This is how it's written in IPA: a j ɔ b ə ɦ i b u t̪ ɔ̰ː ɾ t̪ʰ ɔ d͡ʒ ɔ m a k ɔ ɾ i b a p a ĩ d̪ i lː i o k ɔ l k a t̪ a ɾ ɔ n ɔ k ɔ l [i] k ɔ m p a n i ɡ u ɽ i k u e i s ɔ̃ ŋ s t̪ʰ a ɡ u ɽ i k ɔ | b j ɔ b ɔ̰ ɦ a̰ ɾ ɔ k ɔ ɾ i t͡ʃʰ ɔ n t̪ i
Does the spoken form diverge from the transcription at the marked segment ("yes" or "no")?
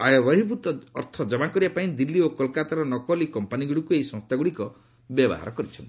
no